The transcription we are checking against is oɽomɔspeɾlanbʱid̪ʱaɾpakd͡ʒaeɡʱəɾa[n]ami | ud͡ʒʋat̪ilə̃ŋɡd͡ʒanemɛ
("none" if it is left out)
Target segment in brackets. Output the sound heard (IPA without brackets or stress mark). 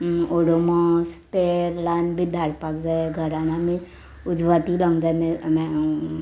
n